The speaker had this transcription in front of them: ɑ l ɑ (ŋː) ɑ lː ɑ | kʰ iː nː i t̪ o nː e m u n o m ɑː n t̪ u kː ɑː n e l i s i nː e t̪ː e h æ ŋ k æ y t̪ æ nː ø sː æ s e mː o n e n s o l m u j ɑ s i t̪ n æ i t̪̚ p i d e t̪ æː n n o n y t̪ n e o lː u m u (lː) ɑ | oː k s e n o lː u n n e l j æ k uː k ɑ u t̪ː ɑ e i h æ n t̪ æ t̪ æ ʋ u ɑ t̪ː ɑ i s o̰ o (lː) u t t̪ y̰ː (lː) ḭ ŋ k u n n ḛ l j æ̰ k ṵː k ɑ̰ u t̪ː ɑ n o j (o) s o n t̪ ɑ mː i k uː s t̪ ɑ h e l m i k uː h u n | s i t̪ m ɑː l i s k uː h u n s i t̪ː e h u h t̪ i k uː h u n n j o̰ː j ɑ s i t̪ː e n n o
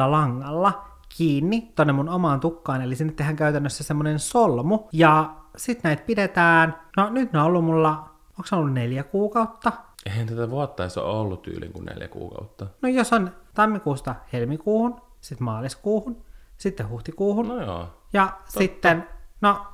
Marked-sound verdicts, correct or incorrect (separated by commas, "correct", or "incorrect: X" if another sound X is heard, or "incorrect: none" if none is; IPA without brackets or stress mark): correct, correct, correct, incorrect: l, correct